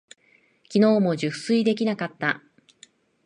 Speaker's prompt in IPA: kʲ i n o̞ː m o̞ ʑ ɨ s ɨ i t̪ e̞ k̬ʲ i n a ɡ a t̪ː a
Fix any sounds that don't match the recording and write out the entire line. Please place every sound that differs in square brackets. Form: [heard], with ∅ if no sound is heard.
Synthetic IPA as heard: kʲ i n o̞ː m o̞ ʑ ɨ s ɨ i [d̪] e̞ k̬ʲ i n a [k] a t̪ː a